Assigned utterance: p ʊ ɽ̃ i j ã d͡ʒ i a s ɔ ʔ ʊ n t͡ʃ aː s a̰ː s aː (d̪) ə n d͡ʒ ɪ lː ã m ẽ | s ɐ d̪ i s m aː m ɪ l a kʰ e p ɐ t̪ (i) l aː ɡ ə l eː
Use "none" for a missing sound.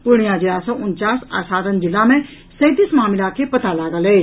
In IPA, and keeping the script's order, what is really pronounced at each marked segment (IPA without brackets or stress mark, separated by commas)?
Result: d̪, a